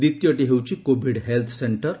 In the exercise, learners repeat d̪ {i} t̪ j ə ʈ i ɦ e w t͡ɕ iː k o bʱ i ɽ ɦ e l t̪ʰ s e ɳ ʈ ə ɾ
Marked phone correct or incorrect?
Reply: correct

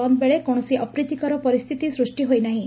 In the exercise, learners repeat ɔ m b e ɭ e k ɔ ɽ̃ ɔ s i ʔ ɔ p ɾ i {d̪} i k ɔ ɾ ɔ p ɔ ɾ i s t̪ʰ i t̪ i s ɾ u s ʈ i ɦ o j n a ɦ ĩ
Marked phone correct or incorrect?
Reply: incorrect: t̪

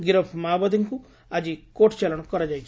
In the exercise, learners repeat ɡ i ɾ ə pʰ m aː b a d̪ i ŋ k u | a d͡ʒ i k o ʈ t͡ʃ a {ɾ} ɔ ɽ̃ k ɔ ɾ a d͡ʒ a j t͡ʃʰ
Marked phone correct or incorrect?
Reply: incorrect: l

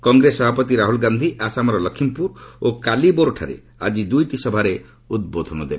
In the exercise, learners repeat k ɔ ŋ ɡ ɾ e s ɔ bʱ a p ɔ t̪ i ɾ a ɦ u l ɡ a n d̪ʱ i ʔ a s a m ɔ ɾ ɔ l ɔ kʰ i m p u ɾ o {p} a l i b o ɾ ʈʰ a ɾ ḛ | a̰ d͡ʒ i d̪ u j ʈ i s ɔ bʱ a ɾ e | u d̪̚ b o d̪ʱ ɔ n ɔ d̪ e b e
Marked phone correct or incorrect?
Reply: incorrect: k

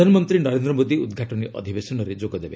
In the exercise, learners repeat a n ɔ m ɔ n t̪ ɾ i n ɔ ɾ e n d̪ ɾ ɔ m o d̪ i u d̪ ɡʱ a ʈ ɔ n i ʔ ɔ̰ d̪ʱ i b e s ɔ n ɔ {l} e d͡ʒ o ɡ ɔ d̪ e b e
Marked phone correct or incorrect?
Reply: incorrect: ɾ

